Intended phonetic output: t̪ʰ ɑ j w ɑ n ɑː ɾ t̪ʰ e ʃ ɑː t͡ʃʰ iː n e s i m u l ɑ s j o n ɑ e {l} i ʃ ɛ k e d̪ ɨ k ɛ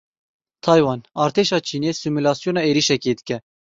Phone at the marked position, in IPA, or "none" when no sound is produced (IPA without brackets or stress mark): ɾ